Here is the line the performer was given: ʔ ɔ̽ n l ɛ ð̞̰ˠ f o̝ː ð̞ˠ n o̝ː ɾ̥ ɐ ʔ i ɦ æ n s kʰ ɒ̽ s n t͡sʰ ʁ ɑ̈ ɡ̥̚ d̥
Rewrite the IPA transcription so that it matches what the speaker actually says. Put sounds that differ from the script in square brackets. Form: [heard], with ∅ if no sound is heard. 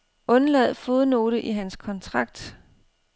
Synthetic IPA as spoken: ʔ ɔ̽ n l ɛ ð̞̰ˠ f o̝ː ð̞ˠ n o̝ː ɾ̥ [ə] ʔ i ɦ æ n s kʰ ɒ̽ [∅] n t͡sʰ ʁ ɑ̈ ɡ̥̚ d̥

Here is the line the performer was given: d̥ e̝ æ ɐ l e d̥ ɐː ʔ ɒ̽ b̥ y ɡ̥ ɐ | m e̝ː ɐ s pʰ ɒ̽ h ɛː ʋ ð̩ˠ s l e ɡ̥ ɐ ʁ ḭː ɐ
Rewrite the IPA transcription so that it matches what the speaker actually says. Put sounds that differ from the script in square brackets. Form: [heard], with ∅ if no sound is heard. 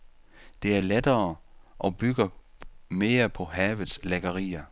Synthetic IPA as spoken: d̥ e̝ æ ɐ l e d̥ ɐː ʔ ɒ̽ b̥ y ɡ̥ ɐ | m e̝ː ɐ [∅] pʰ ɒ̽ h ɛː ʋ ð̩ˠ s l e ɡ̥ ɐ ʁ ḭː ɐ

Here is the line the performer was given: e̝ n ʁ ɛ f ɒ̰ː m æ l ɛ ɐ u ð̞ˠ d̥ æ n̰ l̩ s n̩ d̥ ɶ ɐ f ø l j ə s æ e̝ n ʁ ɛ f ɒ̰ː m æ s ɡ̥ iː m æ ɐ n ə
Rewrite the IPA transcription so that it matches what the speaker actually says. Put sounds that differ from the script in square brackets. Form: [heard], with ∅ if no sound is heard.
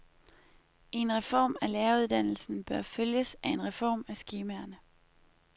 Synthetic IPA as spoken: e̝ n ʁ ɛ f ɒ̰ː m æ l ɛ ɐ u ð̞ˠ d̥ æ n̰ l̩ s n̩ [b̥] ɶ ɐ f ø l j ə s æ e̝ n ʁ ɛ f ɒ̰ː m æ s ɡ̥ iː m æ ɐ n ə

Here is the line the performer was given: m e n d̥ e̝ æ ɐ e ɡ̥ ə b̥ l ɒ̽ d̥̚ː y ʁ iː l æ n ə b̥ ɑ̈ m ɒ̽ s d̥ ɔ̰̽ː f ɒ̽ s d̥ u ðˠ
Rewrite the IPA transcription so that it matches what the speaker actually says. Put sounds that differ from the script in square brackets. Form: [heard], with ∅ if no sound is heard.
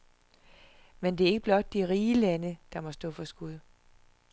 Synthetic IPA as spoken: m e n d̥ e̝ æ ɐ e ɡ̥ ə b̥ l ɒ̽ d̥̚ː [i] ʁ iː l æ n ə [d̥] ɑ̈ m ɒ̽ s d̥ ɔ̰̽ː f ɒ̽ s [ɡ̥] u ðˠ

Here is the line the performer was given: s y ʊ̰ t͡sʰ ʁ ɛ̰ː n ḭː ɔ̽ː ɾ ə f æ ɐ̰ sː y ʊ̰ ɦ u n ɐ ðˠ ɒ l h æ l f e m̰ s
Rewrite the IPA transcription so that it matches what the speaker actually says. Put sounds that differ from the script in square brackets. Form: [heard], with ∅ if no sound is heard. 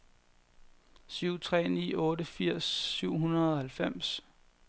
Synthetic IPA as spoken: s y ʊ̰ t͡sʰ ʁ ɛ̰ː n ḭː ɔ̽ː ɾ ə f [i] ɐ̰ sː y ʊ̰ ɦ u n ɐ ðˠ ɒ [∅] h æ l f e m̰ s

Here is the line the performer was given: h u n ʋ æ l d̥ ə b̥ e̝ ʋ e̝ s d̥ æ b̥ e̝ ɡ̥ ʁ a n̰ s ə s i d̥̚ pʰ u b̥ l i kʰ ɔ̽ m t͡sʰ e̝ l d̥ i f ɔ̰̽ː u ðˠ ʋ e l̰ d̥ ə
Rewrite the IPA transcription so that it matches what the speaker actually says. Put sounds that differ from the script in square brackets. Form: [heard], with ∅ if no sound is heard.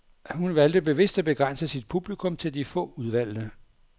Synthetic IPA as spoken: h u n ʋ æ l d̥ ə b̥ e̝ ʋ e̝ s d̥ æ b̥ e̝ ɡ̥ ʁ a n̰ s ə s i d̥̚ pʰ u b̥ l i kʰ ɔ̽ m t͡sʰ e̝ l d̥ i f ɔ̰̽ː u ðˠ ʋ [æ] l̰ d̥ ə

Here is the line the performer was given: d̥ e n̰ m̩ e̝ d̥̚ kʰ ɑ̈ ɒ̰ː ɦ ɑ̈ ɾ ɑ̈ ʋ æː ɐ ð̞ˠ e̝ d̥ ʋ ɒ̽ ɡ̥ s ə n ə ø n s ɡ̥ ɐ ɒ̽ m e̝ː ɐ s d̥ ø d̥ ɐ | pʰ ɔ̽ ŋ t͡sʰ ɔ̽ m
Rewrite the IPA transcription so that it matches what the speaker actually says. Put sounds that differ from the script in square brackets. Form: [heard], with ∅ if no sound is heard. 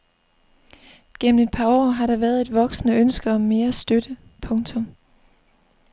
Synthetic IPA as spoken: [ɡ̥] e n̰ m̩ e̝ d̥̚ [pʰ] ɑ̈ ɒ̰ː ɦ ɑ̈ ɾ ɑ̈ ʋ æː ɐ ð̞ˠ e̝ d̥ ʋ ɒ̽ ɡ̥ s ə n ə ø n s ɡ̥ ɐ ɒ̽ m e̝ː ɐ s d̥ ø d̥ [ə] | pʰ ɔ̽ ŋ t͡sʰ ɔ̽ m

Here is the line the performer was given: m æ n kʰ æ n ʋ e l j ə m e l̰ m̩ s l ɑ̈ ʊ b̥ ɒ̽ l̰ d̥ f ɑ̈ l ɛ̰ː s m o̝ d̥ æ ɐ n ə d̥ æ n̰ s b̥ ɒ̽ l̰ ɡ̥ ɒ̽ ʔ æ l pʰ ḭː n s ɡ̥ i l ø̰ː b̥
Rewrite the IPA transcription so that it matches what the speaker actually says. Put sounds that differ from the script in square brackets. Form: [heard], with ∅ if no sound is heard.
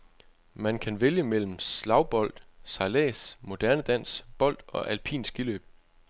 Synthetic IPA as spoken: m æ n kʰ æ n ʋ e l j ə m e l̰ m̩ s l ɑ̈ ʊ b̥ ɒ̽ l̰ d̥ [s] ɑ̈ l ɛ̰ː s m o̝ d̥ æ ɐ n ə d̥ æ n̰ s b̥ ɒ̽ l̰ [d̥] ɒ̽ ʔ æ l pʰ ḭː n s ɡ̥ i l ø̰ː b̥

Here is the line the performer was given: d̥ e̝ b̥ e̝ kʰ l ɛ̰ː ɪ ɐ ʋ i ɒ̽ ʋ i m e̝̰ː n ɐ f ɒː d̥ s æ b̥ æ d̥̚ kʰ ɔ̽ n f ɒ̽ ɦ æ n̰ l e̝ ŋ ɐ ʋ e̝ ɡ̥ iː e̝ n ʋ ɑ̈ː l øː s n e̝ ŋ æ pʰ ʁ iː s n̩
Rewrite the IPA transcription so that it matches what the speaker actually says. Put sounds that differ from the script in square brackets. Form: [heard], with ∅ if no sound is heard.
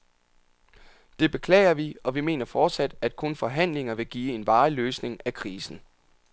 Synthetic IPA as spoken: d̥ e̝ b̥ e̝ kʰ l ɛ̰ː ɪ ɐ ʋ i ɒ̽ ʋ i m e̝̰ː n ɐ f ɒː d̥ s æ [d̥] æ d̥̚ kʰ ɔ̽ n f ɒ̽ ɦ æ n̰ l e̝ ŋ ɐ ʋ e̝ ɡ̥ iː e̝ n ʋ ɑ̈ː l øː s n e̝ ŋ æ [kʰ] ʁ iː s n̩

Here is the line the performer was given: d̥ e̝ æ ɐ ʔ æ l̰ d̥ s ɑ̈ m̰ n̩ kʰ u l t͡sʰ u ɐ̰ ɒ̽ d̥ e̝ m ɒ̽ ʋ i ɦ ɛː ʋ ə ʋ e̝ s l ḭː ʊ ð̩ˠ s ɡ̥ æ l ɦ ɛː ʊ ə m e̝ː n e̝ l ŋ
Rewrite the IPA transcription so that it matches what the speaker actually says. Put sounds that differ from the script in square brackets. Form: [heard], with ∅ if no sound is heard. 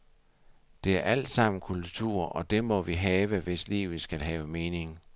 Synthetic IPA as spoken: d̥ e̝ æ ɐ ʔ æ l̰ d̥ s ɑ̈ m̰ n̩ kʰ u l t͡sʰ u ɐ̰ ɒ̽ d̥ e̝ m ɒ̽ ʋ i ɦ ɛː ʋ ə ʋ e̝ s l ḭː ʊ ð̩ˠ s ɡ̥ æ l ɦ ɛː ʊ ə m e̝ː n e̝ [∅] ŋ

